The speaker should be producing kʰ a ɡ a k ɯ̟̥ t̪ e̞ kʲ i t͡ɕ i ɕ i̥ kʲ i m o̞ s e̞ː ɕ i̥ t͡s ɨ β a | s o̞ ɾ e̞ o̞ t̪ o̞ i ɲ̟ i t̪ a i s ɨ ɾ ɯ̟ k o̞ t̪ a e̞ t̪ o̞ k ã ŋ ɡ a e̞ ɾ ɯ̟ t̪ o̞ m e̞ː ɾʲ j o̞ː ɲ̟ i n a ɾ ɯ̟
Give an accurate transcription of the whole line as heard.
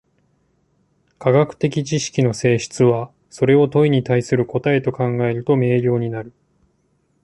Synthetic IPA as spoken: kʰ a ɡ a k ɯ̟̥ t̪ e̞ kʲ i t͡ɕ i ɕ i̥ kʲ i n o̞ s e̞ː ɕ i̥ t͡s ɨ β a | s o̞ ɾ e̞ o̞ t̪ o̞ i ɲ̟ i t̪ a i s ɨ ɾ ɯ̟ k o̞ t̪ a e̞ t̪ o̞ k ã ŋ ɡ a e̞ ɾ ɯ̟ t̪ o̞ m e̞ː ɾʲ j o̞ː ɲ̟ i n a ɾ ɯ̟